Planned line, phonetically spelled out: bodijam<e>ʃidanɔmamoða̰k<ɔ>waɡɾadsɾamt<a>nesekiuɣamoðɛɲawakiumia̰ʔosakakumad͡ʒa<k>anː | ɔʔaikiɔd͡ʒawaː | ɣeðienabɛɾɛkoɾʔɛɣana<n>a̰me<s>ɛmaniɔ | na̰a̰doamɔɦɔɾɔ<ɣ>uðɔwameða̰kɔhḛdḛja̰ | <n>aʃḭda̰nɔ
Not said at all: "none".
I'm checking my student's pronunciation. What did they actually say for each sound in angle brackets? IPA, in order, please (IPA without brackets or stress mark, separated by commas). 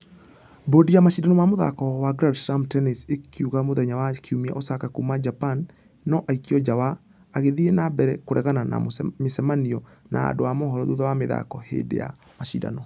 a, ɔ, ɛ, p, n, s, ð, m